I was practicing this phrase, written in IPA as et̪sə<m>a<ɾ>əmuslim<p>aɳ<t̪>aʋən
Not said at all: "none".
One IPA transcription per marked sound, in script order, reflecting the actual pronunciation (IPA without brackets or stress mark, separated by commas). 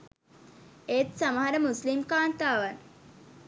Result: m, ɾ, k, t̪